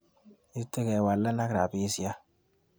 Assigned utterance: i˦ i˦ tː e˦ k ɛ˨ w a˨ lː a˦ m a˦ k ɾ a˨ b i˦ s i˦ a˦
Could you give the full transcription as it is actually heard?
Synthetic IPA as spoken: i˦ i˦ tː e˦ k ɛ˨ w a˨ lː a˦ n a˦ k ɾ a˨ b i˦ s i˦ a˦